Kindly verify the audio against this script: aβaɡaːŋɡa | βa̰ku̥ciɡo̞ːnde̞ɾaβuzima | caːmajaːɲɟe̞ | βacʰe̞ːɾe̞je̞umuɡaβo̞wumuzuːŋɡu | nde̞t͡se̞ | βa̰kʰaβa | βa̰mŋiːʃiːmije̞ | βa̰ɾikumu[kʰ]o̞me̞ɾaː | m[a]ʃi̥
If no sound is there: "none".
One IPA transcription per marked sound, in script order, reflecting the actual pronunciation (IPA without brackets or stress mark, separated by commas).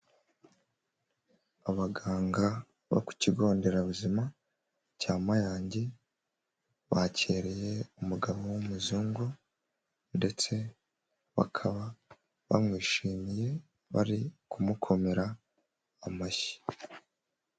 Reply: kʰ, a